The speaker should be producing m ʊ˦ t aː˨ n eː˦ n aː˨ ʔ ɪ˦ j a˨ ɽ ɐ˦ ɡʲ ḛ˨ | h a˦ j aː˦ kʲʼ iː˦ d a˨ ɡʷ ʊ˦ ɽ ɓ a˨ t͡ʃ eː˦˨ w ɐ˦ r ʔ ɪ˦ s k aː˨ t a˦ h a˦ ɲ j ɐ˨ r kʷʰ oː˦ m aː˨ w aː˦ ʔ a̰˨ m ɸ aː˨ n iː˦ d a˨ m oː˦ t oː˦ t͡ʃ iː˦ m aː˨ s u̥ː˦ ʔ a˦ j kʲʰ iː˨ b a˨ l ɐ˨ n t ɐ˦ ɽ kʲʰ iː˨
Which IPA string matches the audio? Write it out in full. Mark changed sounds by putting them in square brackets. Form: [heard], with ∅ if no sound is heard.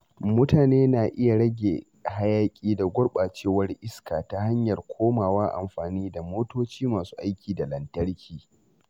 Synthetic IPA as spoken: m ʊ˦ t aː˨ n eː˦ n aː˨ ʔ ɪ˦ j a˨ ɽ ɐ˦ ɡʲ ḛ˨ | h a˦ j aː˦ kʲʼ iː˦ d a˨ ɡʷ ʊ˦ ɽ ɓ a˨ t͡ʃ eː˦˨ w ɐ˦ r ʔ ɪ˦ s k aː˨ t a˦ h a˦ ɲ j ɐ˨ r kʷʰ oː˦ m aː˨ w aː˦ ʔ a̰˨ m ɸ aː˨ n iː˦ d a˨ m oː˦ t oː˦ t͡ʃ iː˦ m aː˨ s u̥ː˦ ʔ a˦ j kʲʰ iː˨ [d] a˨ l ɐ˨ n t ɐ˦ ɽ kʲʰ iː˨